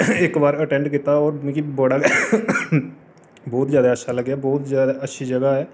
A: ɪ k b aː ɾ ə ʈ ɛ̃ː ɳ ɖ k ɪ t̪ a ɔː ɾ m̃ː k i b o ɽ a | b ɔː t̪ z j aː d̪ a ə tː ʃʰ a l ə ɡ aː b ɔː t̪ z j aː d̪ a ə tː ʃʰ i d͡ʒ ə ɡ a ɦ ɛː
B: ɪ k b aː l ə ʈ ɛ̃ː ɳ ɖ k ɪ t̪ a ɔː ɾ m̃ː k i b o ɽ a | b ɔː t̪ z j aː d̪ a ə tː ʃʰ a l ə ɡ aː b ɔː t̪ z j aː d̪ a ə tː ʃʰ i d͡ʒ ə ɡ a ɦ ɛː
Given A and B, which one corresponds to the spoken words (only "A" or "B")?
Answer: A